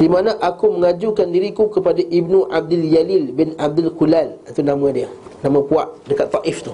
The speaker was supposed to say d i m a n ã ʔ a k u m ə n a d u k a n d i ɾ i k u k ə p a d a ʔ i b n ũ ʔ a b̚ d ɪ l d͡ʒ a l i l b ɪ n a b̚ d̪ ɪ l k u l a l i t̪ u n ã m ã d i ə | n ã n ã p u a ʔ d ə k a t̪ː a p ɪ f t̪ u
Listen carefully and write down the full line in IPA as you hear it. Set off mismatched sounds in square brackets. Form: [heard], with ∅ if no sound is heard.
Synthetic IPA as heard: d i m a n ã ʔ a k u m ə [ŋ] a [d͡ʒ] u k a n d i ɾ i k u k ə p a d a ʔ i b n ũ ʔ a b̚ d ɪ l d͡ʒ a l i l b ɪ n a b̚ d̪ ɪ l k u l a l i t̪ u n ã m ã d i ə | n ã [m] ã p u a ʔ d ə k a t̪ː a [ʔ] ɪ f t̪ u